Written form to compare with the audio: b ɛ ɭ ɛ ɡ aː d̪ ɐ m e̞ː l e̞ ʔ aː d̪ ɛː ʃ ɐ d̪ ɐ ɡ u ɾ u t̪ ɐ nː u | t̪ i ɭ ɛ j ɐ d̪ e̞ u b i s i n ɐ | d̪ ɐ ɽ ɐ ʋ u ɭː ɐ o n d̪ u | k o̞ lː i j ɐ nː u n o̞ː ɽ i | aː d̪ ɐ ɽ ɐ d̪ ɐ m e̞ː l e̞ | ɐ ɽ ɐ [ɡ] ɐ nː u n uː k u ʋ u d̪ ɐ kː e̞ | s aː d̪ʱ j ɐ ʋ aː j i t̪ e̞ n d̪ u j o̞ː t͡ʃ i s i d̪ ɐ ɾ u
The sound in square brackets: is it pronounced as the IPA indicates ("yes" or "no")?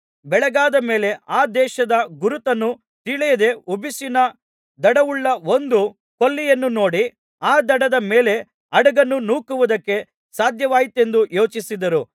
yes